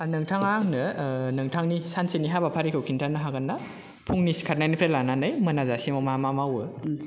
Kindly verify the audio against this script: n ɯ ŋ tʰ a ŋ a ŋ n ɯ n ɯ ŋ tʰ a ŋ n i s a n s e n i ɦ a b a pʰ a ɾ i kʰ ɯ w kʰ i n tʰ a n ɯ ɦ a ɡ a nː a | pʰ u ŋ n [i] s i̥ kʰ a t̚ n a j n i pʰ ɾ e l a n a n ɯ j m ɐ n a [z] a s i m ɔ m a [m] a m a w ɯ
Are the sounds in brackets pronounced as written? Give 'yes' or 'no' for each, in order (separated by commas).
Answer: yes, yes, yes